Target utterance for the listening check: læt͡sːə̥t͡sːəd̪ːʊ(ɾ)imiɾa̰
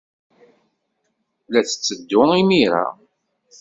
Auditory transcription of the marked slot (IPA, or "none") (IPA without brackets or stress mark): none